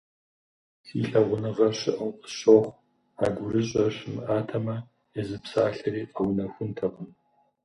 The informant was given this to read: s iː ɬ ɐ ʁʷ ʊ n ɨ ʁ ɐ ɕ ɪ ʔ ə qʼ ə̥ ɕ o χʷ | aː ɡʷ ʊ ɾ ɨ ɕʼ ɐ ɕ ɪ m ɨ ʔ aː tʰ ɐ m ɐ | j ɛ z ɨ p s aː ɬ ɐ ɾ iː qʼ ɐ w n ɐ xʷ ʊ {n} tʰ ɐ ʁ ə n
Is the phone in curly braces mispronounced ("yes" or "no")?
no